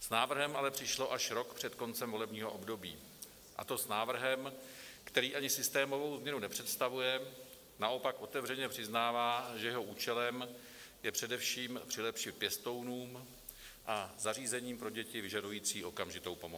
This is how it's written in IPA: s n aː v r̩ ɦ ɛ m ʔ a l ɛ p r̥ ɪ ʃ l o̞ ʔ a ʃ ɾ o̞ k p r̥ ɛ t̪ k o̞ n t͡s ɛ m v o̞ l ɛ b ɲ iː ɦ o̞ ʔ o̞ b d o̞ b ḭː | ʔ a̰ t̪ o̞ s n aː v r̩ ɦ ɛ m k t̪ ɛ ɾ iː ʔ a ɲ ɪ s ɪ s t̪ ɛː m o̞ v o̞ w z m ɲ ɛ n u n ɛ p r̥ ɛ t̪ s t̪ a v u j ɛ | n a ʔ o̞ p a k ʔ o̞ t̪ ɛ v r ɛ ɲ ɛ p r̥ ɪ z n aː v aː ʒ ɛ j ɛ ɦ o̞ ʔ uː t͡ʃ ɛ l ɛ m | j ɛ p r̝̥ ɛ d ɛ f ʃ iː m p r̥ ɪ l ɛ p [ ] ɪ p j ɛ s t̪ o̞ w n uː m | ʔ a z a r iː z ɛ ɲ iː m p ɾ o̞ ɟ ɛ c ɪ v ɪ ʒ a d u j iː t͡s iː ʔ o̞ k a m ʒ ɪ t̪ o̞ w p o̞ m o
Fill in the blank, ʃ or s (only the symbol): ʃ